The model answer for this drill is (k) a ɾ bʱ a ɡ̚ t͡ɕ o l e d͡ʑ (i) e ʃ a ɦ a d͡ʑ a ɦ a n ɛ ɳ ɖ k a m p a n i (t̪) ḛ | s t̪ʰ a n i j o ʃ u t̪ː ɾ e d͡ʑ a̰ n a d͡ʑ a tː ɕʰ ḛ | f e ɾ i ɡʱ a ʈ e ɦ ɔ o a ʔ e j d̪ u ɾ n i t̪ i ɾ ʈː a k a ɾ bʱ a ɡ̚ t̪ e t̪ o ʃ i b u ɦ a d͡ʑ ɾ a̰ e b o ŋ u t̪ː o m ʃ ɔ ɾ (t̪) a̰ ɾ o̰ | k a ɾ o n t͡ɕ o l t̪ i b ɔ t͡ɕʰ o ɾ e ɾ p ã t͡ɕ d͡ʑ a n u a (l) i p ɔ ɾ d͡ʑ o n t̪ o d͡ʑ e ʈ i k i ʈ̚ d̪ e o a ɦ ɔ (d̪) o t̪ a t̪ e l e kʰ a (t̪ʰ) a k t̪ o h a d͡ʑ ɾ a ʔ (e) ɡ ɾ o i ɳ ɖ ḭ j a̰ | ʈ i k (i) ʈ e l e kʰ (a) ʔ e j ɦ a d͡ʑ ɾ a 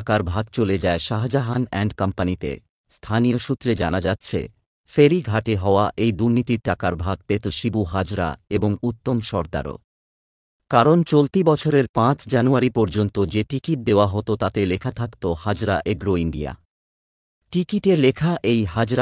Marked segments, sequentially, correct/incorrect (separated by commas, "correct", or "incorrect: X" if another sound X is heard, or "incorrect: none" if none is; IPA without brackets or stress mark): correct, incorrect: a, correct, incorrect: d̪, incorrect: ɾ, incorrect: t̪, correct, correct, correct, correct